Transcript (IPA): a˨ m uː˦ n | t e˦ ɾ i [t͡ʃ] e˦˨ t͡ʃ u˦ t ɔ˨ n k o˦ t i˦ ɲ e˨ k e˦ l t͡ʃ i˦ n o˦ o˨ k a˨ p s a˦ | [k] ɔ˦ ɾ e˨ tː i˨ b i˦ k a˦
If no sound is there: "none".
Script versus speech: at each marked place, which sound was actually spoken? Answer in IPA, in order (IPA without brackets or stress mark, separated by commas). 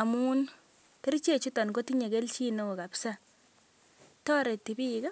t͡ʃ, t